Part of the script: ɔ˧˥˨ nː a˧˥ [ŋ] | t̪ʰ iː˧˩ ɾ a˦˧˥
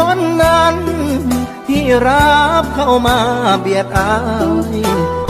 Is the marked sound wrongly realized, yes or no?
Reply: yes